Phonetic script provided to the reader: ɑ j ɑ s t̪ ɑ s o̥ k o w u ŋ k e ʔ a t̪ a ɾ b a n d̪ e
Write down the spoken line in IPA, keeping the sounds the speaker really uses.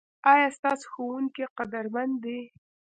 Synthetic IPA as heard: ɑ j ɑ s t̪ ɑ s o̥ x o w u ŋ k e q a d̪ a ɾ m a n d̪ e